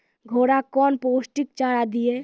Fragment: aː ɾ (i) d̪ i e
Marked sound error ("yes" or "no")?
yes